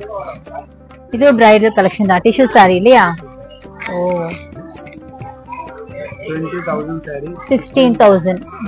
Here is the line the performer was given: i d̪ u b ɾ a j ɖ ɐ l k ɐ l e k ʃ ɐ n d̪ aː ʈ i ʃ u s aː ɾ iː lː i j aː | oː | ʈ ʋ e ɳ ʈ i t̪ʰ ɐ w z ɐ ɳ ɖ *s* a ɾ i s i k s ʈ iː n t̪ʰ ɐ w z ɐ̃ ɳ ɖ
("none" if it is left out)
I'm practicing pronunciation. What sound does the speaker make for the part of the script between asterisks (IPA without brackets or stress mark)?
s